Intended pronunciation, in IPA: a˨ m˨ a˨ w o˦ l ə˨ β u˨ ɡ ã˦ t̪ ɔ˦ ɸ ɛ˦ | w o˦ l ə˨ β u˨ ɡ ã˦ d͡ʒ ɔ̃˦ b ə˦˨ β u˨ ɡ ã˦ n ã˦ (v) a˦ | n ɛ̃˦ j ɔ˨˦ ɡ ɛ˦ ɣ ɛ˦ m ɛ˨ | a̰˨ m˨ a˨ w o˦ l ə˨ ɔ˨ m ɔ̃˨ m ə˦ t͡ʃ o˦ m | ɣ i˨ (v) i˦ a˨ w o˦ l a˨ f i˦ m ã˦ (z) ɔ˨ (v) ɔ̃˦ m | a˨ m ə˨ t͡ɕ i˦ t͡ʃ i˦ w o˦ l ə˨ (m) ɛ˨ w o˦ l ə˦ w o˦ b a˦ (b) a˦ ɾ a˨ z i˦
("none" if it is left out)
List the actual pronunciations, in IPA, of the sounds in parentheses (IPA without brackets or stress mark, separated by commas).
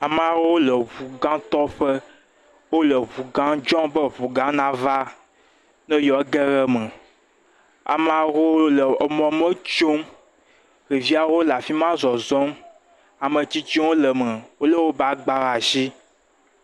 v, v, z, z, m, ɡ͡b